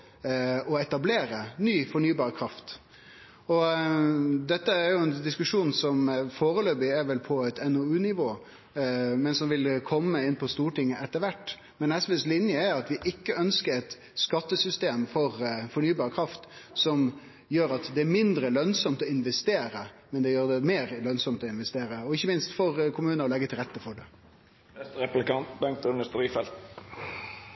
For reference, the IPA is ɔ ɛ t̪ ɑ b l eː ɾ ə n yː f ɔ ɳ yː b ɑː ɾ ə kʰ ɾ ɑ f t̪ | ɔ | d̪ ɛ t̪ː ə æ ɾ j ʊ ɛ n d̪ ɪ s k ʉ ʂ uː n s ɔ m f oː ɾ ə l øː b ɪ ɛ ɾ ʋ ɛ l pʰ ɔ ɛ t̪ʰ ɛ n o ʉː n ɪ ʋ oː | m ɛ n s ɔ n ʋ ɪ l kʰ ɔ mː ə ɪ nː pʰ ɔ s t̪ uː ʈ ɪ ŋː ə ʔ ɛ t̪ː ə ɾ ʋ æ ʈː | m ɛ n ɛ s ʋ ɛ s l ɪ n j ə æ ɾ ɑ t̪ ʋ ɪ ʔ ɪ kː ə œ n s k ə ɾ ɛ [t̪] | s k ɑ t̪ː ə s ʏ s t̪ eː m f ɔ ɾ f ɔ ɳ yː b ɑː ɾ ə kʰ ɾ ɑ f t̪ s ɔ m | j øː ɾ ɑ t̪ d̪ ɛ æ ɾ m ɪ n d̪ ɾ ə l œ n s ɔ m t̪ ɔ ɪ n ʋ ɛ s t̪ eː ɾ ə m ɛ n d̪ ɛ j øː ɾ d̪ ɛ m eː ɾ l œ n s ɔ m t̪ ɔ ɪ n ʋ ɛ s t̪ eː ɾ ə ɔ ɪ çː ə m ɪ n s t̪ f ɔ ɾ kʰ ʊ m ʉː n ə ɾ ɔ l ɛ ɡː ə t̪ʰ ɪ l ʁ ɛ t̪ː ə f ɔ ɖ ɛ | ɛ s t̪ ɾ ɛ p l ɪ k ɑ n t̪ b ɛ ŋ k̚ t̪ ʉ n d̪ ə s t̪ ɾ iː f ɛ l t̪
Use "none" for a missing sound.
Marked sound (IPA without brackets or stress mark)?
t̪